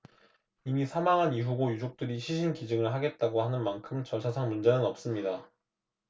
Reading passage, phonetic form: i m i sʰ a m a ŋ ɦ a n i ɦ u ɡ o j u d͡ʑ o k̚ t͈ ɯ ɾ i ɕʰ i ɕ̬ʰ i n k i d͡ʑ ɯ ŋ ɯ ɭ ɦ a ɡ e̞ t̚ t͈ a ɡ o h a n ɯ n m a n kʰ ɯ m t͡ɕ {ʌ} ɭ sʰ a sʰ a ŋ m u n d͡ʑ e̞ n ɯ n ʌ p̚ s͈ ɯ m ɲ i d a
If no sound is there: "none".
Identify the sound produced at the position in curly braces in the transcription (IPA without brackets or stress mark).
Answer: ʌ